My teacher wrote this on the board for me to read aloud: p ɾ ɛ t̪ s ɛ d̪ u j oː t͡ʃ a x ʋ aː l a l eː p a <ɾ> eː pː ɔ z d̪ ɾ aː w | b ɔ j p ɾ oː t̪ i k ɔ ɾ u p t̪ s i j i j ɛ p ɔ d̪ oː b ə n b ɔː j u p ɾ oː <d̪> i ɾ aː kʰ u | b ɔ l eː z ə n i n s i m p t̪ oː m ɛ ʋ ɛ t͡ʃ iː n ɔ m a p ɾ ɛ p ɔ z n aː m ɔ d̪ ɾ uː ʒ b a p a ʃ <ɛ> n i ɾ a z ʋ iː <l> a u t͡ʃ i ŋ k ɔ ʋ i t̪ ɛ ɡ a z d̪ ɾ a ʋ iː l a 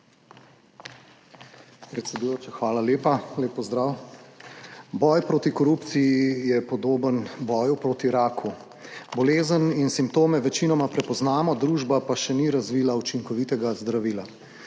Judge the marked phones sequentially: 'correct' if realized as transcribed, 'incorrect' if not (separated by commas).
incorrect, incorrect, correct, correct